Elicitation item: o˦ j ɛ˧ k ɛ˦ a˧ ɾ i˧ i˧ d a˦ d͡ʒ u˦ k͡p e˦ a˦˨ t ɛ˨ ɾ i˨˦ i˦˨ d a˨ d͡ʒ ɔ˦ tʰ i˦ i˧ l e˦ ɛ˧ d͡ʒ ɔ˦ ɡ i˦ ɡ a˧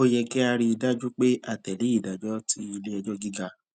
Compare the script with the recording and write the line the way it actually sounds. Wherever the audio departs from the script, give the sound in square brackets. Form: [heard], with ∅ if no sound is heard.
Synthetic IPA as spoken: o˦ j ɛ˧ k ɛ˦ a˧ ɾ i˧ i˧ d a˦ d͡ʒ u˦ k͡p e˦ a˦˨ t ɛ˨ [l] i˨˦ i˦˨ d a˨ d͡ʒ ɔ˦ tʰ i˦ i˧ l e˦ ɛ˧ d͡ʒ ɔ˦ ɡ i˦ ɡ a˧